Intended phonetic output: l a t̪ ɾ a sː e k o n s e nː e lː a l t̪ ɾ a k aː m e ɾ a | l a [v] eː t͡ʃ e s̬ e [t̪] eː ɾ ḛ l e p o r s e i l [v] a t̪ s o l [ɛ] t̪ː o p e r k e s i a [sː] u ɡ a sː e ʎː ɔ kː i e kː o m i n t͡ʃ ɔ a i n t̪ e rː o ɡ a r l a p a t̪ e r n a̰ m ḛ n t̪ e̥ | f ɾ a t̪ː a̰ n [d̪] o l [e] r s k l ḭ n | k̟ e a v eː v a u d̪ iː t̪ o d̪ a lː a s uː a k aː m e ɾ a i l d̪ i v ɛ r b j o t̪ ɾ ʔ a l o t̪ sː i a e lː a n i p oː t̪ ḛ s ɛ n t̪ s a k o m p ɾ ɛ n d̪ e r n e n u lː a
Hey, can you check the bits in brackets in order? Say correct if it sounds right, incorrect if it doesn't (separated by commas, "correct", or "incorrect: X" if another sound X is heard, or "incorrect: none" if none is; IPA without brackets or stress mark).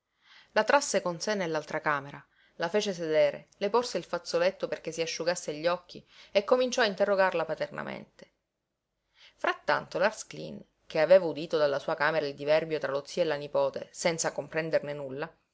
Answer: incorrect: f, incorrect: d̪, incorrect: f, incorrect: e, incorrect: ʃː, incorrect: t̪, incorrect: a